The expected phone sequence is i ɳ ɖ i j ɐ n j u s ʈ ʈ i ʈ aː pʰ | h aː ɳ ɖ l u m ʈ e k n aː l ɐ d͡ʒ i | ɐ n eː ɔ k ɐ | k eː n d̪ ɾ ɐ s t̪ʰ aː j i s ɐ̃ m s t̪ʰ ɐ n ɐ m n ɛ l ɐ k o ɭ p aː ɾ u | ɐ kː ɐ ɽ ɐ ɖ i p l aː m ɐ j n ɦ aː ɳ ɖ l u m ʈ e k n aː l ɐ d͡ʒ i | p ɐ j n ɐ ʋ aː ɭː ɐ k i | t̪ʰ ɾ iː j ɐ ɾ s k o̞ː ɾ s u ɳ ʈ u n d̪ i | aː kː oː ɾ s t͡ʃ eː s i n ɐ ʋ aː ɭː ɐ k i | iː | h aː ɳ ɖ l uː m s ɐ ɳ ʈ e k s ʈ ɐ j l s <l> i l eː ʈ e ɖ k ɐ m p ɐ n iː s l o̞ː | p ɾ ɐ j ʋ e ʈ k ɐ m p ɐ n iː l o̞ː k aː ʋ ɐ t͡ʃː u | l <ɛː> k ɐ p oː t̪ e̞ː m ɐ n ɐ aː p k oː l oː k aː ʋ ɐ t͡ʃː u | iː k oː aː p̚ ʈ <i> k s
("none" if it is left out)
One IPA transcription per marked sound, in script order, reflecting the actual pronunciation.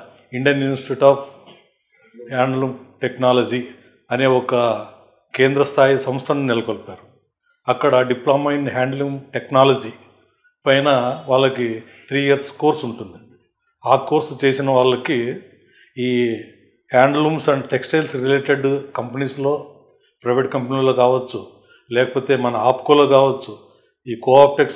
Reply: ɾ, ɛː, e

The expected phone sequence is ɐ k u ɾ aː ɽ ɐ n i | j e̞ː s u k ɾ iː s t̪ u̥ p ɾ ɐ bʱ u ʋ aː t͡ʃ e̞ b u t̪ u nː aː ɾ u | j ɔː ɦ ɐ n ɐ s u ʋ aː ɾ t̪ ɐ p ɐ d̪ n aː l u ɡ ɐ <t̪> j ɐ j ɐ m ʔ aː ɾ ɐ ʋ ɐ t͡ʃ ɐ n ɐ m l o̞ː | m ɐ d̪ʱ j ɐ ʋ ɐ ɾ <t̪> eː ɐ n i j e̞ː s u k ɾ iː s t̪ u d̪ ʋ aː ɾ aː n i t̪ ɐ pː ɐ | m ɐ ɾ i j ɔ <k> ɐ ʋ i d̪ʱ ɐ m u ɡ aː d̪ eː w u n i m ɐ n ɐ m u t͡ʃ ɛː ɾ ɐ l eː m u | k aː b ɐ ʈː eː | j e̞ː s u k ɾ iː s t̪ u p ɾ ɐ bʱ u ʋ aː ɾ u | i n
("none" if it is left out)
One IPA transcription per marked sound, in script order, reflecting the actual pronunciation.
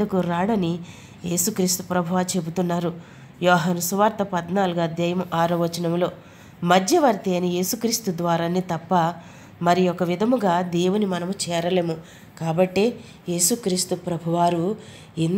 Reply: d̪, t̪, k

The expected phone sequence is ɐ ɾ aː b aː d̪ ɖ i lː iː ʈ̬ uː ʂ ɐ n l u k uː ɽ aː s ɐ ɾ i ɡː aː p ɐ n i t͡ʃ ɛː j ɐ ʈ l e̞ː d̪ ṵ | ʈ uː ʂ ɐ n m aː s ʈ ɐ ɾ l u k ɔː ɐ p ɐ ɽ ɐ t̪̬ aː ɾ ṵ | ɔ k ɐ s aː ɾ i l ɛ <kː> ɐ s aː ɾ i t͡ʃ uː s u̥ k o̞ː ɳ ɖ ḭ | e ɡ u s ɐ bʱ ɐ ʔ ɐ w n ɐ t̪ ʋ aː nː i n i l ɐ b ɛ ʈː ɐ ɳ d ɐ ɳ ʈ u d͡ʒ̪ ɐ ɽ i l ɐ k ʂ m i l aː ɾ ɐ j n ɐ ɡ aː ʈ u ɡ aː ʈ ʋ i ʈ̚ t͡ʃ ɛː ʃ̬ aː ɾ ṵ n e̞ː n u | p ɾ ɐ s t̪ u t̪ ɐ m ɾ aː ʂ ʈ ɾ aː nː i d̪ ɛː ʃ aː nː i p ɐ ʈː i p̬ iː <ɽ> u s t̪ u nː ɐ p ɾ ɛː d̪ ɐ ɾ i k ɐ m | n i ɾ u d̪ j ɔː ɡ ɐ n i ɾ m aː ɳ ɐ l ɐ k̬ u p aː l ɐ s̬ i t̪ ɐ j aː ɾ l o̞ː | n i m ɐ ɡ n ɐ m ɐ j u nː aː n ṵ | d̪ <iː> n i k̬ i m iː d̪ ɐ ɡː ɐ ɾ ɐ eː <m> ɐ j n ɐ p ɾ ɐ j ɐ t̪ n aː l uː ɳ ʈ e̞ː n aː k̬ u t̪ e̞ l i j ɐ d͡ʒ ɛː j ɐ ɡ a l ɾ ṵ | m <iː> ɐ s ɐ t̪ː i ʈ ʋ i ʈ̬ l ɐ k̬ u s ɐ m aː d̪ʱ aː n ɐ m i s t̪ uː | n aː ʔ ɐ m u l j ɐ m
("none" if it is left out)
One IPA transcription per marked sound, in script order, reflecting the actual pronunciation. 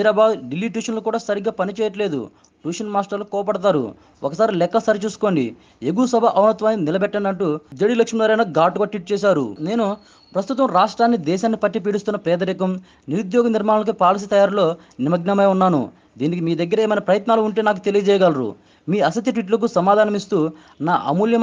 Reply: kː, ɽ, iː, m, iː

